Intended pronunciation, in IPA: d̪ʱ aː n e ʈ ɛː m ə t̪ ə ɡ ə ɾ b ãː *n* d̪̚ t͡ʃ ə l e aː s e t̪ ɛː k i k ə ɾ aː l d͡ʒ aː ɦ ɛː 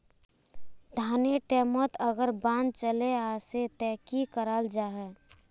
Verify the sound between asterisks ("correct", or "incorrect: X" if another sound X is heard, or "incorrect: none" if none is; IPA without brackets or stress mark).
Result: correct